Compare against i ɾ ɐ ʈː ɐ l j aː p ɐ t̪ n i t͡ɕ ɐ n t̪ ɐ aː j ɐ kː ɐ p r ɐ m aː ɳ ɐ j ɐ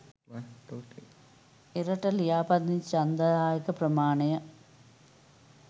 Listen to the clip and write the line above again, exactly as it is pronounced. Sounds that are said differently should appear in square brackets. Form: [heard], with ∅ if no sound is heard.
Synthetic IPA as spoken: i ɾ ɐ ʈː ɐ l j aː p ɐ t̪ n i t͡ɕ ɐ n [d̪] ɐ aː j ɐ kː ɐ p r ɐ m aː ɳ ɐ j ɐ